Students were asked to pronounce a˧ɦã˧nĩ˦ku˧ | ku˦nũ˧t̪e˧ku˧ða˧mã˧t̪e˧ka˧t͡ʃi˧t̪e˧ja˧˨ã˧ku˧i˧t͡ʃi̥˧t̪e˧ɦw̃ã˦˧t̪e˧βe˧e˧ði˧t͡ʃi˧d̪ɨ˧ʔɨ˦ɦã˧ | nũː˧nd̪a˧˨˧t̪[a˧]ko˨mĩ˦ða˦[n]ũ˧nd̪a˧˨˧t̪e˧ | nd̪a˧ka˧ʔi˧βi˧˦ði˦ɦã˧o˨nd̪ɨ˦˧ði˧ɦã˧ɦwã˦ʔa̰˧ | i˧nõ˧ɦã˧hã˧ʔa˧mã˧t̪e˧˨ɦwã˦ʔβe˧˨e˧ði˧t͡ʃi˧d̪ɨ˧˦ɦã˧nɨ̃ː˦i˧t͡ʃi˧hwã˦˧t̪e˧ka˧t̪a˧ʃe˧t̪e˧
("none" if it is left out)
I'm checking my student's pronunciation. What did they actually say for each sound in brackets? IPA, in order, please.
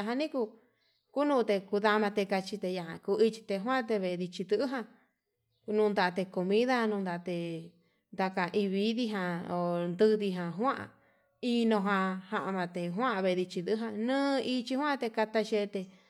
e˧, n

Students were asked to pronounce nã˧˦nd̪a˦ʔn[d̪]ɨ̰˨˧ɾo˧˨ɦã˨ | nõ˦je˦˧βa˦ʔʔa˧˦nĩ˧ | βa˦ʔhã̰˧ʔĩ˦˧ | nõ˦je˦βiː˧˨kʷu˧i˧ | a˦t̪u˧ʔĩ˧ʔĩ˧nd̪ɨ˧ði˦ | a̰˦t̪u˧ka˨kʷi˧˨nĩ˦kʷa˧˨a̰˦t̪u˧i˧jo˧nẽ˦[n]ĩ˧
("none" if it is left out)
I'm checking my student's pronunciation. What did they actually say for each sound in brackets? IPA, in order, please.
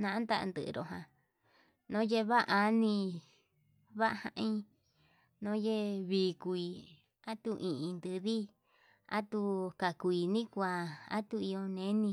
d̪, n

